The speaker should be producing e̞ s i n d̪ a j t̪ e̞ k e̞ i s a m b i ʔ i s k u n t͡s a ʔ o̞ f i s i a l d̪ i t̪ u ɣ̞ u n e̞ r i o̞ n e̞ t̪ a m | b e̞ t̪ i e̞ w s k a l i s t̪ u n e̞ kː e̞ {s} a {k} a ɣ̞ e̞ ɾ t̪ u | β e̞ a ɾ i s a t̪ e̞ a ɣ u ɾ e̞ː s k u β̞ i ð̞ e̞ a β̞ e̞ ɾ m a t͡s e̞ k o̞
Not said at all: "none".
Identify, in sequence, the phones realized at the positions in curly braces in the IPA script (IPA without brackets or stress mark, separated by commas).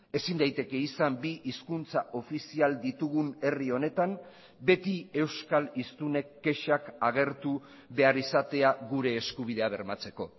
ʃ, k